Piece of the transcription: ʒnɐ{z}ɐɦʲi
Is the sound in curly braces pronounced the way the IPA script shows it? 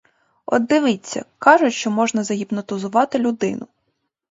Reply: yes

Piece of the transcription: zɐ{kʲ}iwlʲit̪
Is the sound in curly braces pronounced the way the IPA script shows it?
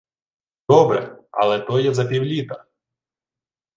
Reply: no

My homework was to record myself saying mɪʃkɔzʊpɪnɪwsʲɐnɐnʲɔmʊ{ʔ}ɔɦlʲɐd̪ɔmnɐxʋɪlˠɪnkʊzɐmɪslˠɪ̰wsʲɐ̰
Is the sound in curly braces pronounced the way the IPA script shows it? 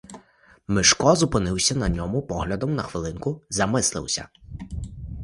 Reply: no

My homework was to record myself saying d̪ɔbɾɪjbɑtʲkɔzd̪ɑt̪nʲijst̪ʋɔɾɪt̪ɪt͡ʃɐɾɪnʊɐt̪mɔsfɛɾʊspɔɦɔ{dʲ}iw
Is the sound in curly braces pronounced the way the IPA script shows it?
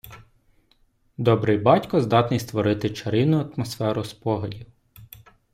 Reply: yes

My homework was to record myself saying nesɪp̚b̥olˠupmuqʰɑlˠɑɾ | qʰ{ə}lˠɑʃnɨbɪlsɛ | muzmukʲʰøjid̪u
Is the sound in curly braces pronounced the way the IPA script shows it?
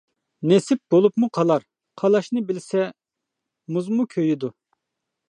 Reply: no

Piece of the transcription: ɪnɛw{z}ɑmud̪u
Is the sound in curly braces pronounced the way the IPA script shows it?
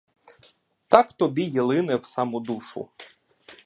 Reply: no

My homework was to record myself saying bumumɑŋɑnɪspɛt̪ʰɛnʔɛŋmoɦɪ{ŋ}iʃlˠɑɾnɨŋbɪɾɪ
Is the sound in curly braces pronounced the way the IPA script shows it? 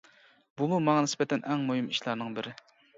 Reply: no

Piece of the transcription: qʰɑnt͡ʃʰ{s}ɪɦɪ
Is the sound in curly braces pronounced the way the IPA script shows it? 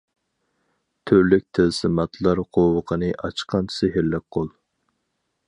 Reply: yes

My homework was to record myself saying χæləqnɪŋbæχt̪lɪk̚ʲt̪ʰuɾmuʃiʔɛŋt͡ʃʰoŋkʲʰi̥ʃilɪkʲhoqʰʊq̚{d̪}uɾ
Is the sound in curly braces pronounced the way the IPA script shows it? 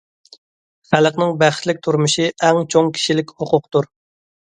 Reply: no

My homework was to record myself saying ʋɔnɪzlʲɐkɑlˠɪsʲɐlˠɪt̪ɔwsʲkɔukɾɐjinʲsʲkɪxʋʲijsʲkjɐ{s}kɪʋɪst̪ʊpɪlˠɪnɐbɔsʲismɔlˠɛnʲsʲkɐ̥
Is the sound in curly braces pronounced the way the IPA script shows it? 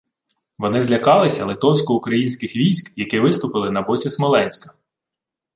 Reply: no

